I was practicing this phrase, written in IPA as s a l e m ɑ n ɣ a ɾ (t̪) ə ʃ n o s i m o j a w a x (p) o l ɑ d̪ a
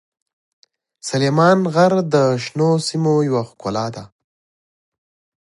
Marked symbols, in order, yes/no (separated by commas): no, no